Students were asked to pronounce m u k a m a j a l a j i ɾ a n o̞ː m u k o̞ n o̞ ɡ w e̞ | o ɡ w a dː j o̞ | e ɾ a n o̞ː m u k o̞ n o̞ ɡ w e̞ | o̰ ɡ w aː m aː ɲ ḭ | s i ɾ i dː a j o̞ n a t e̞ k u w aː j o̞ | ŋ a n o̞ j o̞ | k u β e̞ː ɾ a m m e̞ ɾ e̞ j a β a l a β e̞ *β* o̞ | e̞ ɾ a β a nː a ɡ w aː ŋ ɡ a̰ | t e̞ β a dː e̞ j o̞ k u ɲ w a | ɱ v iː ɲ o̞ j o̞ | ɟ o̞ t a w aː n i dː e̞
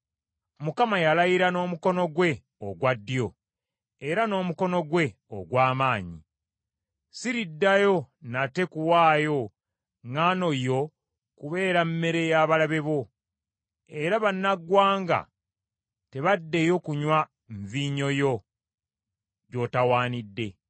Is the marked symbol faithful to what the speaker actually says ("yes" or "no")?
yes